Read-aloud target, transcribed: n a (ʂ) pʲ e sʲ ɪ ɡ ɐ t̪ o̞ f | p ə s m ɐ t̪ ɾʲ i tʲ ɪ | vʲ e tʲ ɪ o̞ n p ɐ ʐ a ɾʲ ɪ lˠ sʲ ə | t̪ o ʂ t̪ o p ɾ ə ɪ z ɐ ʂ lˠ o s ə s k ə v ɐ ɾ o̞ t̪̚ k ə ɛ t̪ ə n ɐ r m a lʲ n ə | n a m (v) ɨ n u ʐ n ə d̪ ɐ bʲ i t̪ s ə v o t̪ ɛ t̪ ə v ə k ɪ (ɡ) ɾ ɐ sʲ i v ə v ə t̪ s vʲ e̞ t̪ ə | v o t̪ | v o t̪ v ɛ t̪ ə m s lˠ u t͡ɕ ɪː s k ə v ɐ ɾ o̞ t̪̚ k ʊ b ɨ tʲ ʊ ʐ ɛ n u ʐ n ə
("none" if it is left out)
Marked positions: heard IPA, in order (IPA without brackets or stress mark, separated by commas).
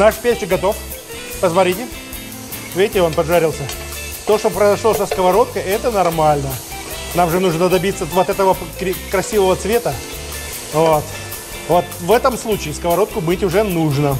ʂ, ʐ, k